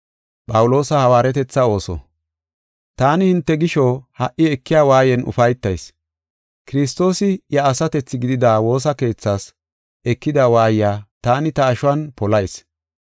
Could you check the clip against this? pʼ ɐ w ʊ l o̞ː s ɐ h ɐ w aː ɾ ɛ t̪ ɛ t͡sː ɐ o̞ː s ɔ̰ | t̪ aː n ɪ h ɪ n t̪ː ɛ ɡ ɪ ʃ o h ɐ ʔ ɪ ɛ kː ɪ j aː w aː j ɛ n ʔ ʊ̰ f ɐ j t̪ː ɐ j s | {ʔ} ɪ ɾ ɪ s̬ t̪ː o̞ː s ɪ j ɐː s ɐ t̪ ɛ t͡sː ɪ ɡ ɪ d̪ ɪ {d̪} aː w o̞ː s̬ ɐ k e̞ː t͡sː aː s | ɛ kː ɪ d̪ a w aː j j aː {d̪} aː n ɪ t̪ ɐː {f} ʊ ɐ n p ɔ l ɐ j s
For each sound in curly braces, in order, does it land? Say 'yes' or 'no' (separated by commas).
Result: no, yes, no, no